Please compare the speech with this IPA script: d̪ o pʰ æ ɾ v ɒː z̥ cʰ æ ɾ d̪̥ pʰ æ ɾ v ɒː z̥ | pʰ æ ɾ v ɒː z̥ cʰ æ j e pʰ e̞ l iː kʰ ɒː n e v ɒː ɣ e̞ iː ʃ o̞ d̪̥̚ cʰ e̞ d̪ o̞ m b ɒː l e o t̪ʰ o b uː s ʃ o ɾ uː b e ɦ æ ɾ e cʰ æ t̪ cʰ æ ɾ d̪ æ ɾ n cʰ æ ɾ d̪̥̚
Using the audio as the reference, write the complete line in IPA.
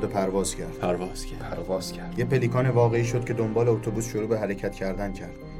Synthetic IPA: d̪ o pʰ æ ɾ v ɒː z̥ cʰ æ ɾ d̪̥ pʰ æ ɾ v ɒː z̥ | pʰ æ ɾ v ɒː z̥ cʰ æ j e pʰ e̞ l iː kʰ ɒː n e v ɒː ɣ e̞ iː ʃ o̞ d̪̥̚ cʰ e̞ d̪ o̞ m b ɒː l e o t̪ʰ o b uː s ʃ o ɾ uː b e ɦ æ ɾ e cʰ æ t̪ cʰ æ ɾ d̪ æ n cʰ æ ɾ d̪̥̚